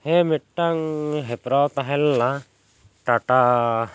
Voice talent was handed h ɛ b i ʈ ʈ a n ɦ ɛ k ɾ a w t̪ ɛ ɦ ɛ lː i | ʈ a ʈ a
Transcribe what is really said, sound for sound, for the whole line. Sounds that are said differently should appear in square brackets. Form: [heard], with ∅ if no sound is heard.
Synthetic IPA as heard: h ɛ [m] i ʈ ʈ a [ŋ] ɦ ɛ [p] ɾ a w t̪ [a] ɦ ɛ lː [a] | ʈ a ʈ a